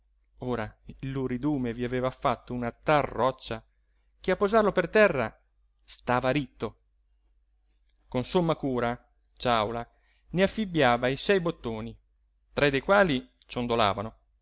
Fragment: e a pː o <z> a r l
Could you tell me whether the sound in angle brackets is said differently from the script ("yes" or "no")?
no